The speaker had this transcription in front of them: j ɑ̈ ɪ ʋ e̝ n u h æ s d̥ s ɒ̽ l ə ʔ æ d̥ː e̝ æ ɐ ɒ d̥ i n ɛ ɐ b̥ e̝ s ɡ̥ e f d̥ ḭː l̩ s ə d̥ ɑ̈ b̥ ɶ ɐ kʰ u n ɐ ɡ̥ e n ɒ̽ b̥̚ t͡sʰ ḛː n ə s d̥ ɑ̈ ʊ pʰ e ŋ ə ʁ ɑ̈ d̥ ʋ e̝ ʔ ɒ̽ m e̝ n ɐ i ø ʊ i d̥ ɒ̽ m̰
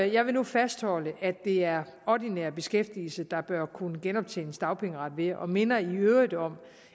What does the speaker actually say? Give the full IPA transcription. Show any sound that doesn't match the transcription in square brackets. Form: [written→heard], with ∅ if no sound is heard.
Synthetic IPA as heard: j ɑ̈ ɪ ʋ e̝ n u [h→f] æ s d̥ [s→h] ɒ̽ l ə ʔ æ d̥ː e̝ æ ɐ ɒ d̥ i n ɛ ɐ b̥ e̝ s ɡ̥ e f d̥ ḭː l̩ s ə d̥ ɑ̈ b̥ ɶ ɐ kʰ u n [ɐ→ə] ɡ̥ e n ɒ̽ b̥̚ t͡sʰ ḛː n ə s d̥ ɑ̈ ʊ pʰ e ŋ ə ʁ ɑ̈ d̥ ʋ e̝ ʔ ɒ̽ m e̝ n ɐ i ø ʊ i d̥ ɒ̽ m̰

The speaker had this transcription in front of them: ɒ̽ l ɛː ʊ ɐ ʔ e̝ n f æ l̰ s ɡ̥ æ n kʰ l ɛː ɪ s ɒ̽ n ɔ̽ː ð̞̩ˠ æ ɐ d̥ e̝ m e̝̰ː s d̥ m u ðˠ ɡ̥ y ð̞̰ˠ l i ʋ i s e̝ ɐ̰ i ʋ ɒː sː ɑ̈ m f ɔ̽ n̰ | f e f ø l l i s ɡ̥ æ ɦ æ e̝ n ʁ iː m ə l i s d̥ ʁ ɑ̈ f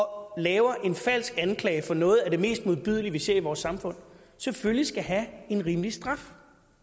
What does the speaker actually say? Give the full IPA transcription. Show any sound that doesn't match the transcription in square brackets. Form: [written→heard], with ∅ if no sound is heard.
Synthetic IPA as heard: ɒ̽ l ɛː ʊ ɐ ʔ e̝ n f æ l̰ s ɡ̥ æ n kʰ l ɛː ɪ [s→f] ɒ̽ n ɔ̽ː ð̞̩ˠ æ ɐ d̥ e̝ m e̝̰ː s d̥ m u ðˠ [ɡ̥→b̥] y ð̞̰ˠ l i ʋ i s e̝ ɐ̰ i ʋ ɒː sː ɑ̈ m f ɔ̽ n̰ | [f→s] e f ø l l i s ɡ̥ æ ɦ æ e̝ n ʁ iː m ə l i s d̥ ʁ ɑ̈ f

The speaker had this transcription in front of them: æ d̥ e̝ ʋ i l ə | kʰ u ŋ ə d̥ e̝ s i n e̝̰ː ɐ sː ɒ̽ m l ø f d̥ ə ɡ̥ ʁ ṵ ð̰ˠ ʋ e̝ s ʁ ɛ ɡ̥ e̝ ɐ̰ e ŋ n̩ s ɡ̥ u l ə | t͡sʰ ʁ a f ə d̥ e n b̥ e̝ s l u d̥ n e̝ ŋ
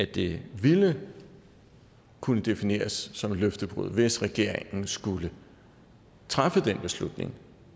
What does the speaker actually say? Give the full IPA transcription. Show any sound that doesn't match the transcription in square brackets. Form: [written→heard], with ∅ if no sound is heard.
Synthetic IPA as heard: æ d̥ e̝ ʋ i l ə | kʰ u [ŋ→n] ə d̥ e̝ [s→f] i n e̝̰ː ɐ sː ɒ̽ m l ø f d̥ ə [ɡ̥→b̥] ʁ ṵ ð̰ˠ ʋ e̝ s ʁ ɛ ɡ̥ e̝ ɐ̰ e ŋ n̩ s ɡ̥ u l ə | t͡sʰ ʁ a f ə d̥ e n b̥ e̝ s l u d̥ n e̝ ŋ

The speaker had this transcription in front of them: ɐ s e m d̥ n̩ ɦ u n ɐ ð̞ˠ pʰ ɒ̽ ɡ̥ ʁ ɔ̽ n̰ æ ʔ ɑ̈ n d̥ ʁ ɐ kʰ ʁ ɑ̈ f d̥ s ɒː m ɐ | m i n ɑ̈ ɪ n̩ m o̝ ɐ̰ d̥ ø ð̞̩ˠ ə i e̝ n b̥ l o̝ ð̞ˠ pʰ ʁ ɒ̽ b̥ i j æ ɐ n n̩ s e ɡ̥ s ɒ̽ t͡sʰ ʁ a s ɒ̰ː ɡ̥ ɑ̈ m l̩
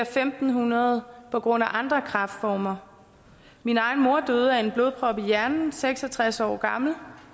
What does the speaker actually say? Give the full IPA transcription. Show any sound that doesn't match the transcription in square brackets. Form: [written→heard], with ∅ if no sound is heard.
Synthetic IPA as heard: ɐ [s→f] e m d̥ n̩ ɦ u n ɐ ð̞ˠ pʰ ɒ̽ ɡ̥ ʁ ɔ̽ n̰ æ ʔ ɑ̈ n d̥ ʁ ɐ kʰ ʁ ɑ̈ f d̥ [s→f] ɒː m ɐ | m i n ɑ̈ ɪ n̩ m o̝ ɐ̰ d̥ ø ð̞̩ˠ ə [i→æ] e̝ n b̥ l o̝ ð̞ˠ pʰ ʁ ɒ̽ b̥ i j æ ɐ n n̩ s e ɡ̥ s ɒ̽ t͡sʰ ʁ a s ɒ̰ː ɡ̥ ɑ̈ m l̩

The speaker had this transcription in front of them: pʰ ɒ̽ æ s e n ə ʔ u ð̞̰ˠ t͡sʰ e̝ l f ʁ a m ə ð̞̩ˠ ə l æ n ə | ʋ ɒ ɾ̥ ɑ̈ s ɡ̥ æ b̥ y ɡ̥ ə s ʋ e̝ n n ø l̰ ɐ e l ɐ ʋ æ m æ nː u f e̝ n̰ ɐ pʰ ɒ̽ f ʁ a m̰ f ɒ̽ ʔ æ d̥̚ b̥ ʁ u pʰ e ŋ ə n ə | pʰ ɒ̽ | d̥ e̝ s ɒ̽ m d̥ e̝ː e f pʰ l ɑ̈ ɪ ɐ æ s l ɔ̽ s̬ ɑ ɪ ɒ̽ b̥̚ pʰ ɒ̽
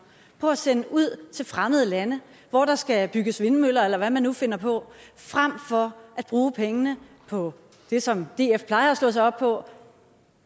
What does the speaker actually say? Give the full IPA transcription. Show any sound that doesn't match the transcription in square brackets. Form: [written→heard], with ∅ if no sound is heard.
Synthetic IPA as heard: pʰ ɒ̽ æ s e n ə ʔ u ð̞̰ˠ t͡sʰ e̝ l f ʁ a m ə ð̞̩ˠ ə l æ n ə | ʋ ɒ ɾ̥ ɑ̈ s ɡ̥ æ b̥ y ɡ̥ ə s ʋ e̝ n [n→m] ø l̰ ɐ e l ɐ ʋ æ m æ nː u f e̝ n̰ ɐ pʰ ɒ̽ f ʁ a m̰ f ɒ̽ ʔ æ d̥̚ b̥ ʁ [u→uː] pʰ e ŋ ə n ə | pʰ ɒ̽ | d̥ e̝ s ɒ̽ m d̥ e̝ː e f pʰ l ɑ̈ ɪ ɐ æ s l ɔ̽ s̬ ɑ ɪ ɒ̽ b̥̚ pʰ ɒ̽

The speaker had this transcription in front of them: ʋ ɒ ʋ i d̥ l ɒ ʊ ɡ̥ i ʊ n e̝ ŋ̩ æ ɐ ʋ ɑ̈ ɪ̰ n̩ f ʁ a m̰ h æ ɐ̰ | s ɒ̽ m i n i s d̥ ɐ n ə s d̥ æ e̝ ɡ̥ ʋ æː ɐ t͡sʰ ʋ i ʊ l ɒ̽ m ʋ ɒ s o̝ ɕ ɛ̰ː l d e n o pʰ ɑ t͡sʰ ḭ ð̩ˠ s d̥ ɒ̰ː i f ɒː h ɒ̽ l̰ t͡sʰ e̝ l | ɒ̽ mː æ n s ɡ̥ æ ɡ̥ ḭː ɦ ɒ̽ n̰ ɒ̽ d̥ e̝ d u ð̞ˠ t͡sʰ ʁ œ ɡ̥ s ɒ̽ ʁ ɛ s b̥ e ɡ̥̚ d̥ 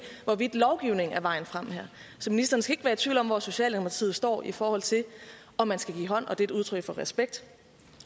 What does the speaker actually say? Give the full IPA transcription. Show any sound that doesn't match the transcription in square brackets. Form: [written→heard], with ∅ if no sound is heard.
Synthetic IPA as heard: ʋ ɒ ʋ i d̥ l ɒ ʊ ɡ̥ i ʊ n e̝ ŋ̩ æ ɐ ʋ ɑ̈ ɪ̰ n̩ f ʁ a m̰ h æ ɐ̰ | s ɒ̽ m i n i s d̥ ɐ n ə s [d̥→ɡ̥] æ e̝ ɡ̥ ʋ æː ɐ t͡sʰ ʋ i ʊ l ɒ̽ m ʋ ɒ s o̝ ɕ ɛ̰ː l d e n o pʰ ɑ t͡sʰ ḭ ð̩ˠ s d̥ ɒ̰ː i f ɒː h ɒ̽ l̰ t͡sʰ e̝ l | ɒ̽ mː æ n s ɡ̥ æ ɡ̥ ḭː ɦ ɒ̽ n̰ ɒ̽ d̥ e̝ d u ð̞ˠ t͡sʰ ʁ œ ɡ̥ [s→f] ɒ̽ ʁ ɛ s b̥ e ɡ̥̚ d̥

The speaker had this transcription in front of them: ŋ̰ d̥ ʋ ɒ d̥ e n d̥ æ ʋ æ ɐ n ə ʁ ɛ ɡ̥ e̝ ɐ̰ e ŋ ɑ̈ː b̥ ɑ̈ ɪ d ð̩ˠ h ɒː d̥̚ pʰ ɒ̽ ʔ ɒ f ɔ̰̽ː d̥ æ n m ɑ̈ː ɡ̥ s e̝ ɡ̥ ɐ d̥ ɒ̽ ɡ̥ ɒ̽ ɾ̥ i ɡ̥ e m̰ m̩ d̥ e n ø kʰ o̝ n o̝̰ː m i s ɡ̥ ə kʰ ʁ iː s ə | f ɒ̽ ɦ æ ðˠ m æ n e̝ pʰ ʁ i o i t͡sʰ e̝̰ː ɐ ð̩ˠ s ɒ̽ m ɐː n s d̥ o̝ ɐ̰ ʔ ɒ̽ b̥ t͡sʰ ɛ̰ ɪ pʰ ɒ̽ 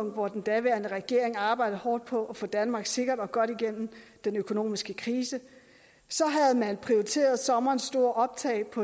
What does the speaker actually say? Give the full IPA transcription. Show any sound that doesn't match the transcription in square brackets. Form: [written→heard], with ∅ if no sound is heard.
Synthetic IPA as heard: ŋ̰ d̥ ʋ ɒ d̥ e n d̥ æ ʋ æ ɐ n ə ʁ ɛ ɡ̥ e̝ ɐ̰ e ŋ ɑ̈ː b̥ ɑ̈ ɪ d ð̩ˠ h ɒː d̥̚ pʰ ɒ̽ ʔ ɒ f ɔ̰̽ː d̥ æ n m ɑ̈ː ɡ̥ s e̝ ɡ̥ ɐ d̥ ɒ̽ ɡ̥ ɒ̽ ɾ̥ i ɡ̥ e [m̰→n̰] m̩ d̥ e n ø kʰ o̝ n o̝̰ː m i s ɡ̥ ə kʰ ʁ iː s ə | [f→s] ɒ̽ ɦ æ ðˠ m æ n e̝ pʰ ʁ i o i t͡sʰ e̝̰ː ɐ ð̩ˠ s ɒ̽ m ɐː n s d̥ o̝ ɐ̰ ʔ ɒ̽ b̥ t͡sʰ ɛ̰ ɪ pʰ ɒ̽

